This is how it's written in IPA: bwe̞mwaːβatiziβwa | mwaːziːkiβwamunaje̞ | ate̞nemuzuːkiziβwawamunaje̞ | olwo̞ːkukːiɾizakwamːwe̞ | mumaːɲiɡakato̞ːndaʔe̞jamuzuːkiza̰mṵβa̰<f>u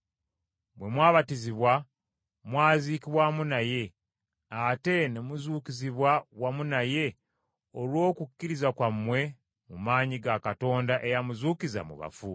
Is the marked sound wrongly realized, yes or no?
no